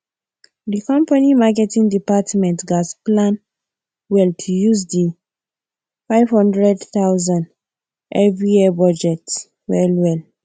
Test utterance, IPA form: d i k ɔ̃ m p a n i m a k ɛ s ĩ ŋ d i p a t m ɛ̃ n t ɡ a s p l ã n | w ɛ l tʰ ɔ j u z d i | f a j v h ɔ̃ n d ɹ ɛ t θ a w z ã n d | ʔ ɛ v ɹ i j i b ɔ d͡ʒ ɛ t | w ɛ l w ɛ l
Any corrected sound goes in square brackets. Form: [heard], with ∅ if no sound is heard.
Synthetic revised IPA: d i k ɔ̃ m p a n i m a k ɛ [t] ĩ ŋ d i p a t m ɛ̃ n t ɡ a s p l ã n | w ɛ l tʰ [u] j u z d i | f a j v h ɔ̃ n d ɹ ɛ [d] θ a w z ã n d | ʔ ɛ v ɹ i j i b ɔ d͡ʒ ɛ t | w ɛ l w ɛ l

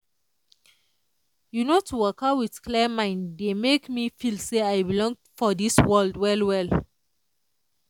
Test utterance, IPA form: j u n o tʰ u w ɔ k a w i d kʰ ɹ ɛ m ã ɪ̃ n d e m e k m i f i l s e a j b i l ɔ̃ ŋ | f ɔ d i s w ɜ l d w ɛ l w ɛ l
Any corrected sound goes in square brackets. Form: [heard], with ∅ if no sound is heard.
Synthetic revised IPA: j u n o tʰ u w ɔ k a w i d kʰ [l] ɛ m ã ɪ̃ n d e m e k m i f i l s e a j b i l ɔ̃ ŋ | f ɔ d i s w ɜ l d w ɛ l w ɛ l

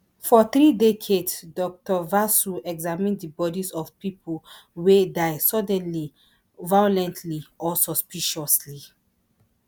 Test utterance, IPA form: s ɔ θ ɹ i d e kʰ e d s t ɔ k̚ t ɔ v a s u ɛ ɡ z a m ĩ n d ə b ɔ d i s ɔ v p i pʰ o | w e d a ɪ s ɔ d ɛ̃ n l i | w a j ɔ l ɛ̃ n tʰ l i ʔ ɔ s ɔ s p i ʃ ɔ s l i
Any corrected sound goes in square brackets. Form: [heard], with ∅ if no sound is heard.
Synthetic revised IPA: [f] ɔ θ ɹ i d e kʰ e d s [d] ɔ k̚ t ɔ v a s u ɛ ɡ z a m ĩ n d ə b ɔ d i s ɔ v p i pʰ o | w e d a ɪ s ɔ d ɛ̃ n l i | [v] a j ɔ l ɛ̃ n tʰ l i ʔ ɔ s ɔ s p i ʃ ɔ s l i

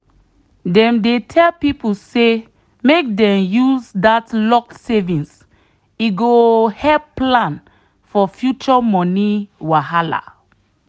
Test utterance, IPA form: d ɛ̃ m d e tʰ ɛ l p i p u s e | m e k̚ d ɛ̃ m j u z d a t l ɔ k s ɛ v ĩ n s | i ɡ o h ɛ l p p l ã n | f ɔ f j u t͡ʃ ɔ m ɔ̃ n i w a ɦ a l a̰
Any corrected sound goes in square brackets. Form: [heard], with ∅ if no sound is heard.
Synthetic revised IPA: d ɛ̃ m d e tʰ ɛ l p i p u s e | m e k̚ d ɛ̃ m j u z d a t l ɔ k s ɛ v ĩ n s | i ɡ o h ɛ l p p l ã n | f ɔ f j u t͡ʃ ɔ m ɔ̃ n i w a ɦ a l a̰

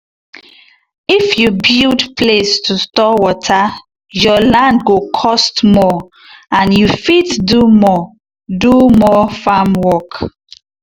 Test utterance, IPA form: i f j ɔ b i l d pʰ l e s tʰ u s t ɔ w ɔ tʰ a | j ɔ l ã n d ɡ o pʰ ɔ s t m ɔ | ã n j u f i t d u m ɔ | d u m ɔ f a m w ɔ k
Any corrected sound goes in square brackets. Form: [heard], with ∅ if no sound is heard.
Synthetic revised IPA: i f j [u] b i l d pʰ l e s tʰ u s t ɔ w ɔ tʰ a | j ɔ l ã n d ɡ o [kʰ] ɔ s t m ɔ | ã n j u f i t d u m ɔ | d u m ɔ f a m w ɔ k

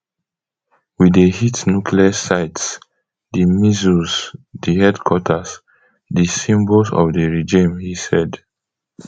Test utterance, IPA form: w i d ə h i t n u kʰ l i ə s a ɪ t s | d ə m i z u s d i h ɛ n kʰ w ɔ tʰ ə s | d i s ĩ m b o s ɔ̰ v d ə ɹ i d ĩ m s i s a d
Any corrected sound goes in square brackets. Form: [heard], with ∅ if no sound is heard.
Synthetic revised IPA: w i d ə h i t n u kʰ l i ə s a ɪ t s | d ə m i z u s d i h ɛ [d] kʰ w ɔ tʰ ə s | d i s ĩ m b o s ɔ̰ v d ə ɹ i [d͡ʒ] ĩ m [h] i s [ɛ] d

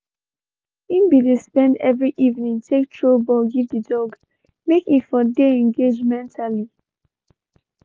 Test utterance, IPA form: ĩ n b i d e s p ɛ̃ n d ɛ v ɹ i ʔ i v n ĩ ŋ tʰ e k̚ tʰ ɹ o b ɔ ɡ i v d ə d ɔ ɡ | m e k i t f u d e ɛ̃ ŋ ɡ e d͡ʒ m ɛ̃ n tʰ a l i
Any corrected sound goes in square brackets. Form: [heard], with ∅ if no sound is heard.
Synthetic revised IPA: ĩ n b i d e s p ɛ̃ n d ɛ v ɹ i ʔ i v n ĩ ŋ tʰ e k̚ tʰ ɹ o b ɔ ɡ i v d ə d ɔ ɡ | m e k i t f [ɔ] d e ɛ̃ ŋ ɡ e d͡ʒ m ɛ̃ n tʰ a l i

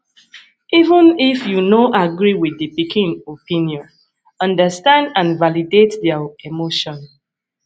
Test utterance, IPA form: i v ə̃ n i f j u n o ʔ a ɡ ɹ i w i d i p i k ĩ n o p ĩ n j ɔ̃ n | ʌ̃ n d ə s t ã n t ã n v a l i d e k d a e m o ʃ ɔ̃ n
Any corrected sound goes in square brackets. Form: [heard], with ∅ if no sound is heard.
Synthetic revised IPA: i v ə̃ n i f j u n o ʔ a ɡ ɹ i w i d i p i k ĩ n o p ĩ n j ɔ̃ n | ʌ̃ n d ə s t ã n [d] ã n v a l i d e [t] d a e m o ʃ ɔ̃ n

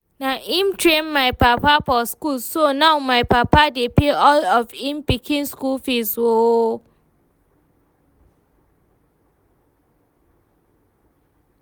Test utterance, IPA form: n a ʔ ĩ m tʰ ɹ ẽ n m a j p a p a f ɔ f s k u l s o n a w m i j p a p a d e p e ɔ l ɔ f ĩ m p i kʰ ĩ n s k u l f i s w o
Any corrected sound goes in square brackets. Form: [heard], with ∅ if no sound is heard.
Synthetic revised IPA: n a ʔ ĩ m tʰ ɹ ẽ n m a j p a p a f ɔ [∅] s k u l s o n a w m [a] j p a p a d e p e ɔ l ɔ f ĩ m p i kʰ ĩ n s k u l f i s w o

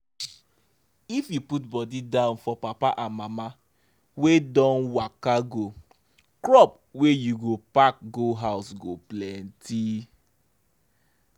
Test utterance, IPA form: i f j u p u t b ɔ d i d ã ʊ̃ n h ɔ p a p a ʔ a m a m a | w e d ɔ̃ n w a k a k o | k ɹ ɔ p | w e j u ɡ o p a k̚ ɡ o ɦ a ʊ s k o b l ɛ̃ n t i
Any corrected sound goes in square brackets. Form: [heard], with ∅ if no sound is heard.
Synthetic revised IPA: i f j u p u t b ɔ d i d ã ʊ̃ n [f] ɔ p a p a ʔ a m a m a | w e d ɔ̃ n w a k a [ɡ] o | k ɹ ɔ p | w e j u ɡ o p a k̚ ɡ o ɦ a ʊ s [ɡ] o [p] l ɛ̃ n t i

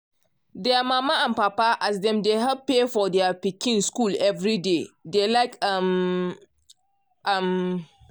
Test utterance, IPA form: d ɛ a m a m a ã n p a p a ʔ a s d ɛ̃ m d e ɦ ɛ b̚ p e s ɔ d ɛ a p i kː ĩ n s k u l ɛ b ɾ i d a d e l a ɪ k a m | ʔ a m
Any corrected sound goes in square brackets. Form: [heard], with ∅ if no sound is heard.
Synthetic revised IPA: d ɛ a m a m a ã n p a p a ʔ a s d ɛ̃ m d e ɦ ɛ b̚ p e [f] ɔ d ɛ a p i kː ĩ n s k u l ɛ [v] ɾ i d [e] d e l a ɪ k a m | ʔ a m

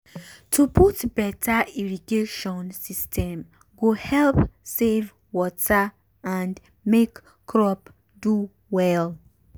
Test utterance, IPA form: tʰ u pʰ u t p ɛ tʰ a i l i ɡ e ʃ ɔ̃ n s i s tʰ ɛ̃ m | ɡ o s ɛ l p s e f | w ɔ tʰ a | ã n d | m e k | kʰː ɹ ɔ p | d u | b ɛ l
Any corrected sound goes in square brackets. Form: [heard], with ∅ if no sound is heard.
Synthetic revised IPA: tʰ u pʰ u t [b] ɛ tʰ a i [ɹ] i ɡ e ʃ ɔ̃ n s i s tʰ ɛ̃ m | ɡ o [h] ɛ l p s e [v] | w ɔ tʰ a | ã n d | m e k | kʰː ɹ ɔ p | d u | [w] ɛ l

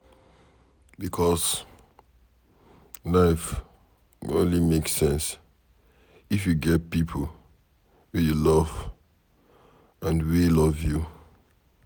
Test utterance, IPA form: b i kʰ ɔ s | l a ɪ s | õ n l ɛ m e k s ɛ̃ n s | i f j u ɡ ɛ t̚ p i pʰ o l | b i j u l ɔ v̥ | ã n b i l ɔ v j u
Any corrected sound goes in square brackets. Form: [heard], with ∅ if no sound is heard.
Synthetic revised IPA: b i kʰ ɔ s | l a ɪ [f] | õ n l [i] m e k s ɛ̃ n s | i f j u ɡ ɛ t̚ p i pʰ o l | [w] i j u l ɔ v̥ | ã n [w] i l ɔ v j u

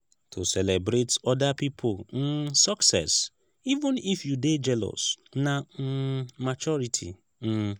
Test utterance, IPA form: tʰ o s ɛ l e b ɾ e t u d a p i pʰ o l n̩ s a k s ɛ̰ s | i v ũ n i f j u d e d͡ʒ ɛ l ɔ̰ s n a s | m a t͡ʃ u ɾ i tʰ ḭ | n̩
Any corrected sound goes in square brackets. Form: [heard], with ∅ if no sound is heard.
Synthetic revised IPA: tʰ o s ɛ l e b ɾ e t [ɔ] d a p i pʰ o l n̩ s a k s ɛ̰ s | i v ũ n i f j u d e d͡ʒ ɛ l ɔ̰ s n a [∅] | m a t͡ʃ [ɔ] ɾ i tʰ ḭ | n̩

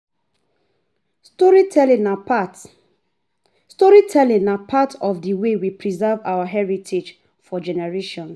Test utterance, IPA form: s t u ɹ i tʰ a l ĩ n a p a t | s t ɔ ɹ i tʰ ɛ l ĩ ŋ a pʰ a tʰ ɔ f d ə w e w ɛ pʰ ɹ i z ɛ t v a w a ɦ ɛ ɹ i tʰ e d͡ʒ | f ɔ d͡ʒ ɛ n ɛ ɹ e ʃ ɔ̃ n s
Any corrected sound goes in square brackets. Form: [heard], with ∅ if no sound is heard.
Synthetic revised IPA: s t [ɔ] ɹ i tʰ [ɛ] l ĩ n a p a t | s t ɔ ɹ i tʰ ɛ l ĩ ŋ a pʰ a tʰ ɔ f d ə w e w [i] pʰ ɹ i z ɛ [∅] v a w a ɦ ɛ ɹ i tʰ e d͡ʒ | f ɔ d͡ʒ ɛ n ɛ ɹ e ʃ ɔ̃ n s

